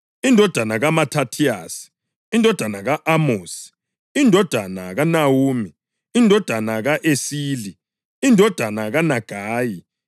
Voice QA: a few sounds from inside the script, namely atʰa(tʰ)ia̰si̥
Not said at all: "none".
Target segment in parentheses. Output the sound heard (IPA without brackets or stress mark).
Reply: tʰ